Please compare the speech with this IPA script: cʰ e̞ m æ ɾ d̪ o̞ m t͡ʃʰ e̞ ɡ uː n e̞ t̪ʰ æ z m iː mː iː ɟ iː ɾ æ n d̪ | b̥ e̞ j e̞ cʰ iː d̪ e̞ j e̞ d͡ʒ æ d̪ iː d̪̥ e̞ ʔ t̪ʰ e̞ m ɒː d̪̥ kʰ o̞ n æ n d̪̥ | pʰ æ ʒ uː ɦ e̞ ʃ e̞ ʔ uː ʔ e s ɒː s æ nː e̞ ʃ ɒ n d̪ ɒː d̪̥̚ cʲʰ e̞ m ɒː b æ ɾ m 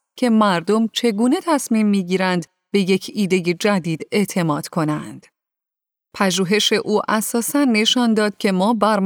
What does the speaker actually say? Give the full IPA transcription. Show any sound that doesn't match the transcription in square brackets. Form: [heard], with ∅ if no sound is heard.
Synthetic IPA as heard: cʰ e̞ m æ ɾ d̪ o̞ m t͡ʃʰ e̞ ɡ uː n e̞ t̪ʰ æ [s] m iː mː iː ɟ iː ɾ æ n d̪ | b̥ e̞ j e̞ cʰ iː d̪ e̞ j e̞ d͡ʒ æ d̪ iː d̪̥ e̞ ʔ t̪ʰ e̞ m ɒː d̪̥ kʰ o̞ n æ n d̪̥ | pʰ æ ʒ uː ɦ e̞ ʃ e̞ ʔ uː ʔ [æ] s ɒː s æ nː e̞ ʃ ɒ n d̪ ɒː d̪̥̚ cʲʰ e̞ m ɒː b æ ɾ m